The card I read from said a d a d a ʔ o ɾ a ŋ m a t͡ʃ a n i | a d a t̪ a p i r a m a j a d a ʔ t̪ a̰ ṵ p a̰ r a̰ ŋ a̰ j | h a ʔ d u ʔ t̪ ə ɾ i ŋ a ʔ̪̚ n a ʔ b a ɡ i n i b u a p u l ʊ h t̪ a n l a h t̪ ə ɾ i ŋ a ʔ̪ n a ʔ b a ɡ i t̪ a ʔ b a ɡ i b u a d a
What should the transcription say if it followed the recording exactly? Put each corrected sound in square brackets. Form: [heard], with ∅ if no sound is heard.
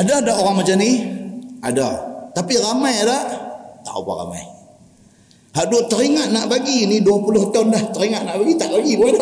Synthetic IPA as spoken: a d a d a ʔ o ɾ a ŋ m a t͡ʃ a n i | a d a t̪ a p i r a m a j a d a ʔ t̪ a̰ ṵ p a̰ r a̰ [m] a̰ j | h a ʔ d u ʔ t̪ ə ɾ i ŋ a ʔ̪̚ n a ʔ b a ɡ i n i [d] u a p u l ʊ h t̪ a n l a h t̪ ə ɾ i ŋ a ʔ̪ n a ʔ b a ɡ i t̪ a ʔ b a ɡ i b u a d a